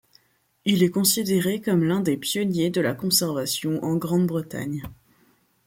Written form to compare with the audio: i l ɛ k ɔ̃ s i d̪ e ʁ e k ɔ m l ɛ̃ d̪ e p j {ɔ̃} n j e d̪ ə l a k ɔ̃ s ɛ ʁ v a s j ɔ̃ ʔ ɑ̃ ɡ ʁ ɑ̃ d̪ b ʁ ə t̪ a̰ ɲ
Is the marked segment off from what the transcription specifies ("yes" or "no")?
yes